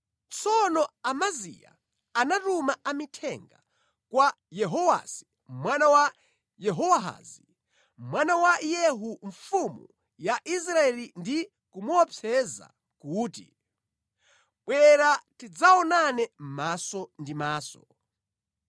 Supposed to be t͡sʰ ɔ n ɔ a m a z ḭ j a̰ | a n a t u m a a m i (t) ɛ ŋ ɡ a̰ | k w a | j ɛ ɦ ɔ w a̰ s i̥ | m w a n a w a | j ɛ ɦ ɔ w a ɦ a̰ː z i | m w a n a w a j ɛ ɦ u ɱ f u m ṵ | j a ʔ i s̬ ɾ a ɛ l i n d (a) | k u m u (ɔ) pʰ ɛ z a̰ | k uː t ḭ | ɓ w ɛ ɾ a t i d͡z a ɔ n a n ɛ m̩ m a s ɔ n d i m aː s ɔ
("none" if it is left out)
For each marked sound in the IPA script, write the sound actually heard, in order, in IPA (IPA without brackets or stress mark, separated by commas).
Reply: tʰ, i, ɔ